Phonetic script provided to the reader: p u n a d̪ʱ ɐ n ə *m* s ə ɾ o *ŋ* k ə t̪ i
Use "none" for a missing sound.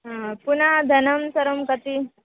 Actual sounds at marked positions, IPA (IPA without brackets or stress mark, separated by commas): m, m